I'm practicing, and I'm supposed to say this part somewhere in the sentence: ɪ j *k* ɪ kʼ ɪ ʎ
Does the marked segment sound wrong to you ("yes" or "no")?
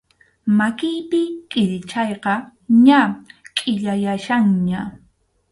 yes